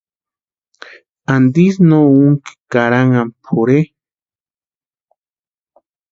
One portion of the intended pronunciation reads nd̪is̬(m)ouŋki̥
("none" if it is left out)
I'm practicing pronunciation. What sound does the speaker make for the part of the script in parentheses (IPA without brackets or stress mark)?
n